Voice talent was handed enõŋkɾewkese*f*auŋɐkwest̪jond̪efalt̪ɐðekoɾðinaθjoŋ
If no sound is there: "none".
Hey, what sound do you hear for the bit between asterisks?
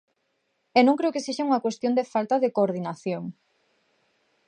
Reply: ʃ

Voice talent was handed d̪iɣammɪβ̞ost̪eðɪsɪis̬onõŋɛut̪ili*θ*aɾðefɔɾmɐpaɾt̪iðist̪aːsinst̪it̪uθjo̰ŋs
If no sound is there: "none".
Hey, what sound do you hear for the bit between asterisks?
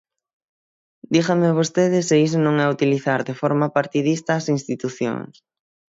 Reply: θ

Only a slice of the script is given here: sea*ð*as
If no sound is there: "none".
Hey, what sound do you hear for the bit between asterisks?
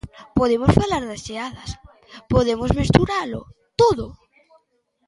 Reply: ð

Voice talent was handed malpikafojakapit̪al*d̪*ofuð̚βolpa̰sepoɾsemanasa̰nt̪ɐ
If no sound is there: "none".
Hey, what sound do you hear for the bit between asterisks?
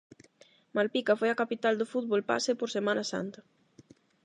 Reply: d̪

